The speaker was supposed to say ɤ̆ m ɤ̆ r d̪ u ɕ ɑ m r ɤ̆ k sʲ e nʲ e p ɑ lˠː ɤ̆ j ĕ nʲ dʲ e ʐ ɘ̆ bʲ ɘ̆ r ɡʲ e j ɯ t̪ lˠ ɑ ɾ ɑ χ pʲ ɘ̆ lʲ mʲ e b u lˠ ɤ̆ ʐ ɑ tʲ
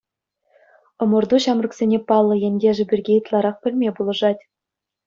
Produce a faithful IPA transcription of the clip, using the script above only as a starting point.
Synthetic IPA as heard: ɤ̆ m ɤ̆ r d̪ u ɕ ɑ m r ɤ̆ k sʲ e nʲ e p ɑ lˠː ɤ̆ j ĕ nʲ dʲ e ʐ ɘ̆ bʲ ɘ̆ r ɡʲ e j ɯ t̪ lˠ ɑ ɾ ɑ χ pʲ ɘ̆ lʲ mʲ e b u lˠ ɤ̆ ʐ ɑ tʲ